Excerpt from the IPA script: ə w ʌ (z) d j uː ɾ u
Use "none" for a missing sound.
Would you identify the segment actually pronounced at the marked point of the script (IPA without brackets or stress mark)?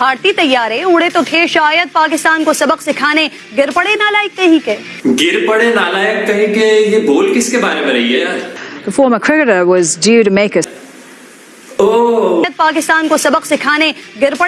z